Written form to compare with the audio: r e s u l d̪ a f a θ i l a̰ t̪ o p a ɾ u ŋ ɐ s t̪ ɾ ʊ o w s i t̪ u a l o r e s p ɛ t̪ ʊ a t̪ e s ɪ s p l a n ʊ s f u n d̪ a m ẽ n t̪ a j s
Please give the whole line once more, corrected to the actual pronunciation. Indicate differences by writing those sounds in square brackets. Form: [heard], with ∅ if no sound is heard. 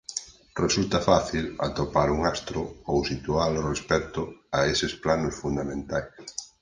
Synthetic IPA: r e s u l [t̪] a f a θ i l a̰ t̪ o p a ɾ u ŋ [a] s t̪ ɾ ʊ o w s i t̪ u a l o r e s p ɛ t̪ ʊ a [∅] e s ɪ s p l a n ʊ s f u n d̪ a m ẽ n t̪ a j s